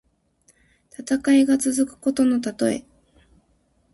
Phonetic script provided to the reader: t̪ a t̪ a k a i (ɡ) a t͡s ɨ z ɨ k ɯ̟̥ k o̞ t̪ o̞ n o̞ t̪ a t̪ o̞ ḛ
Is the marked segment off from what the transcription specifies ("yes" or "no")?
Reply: no